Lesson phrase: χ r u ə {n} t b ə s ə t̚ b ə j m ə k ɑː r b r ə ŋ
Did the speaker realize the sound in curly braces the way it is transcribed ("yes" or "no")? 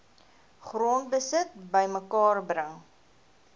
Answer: yes